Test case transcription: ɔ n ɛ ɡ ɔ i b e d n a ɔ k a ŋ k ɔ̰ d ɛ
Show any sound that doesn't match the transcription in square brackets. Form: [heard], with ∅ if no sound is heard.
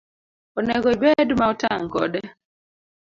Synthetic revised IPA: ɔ n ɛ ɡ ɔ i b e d [m] a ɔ [t] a ŋ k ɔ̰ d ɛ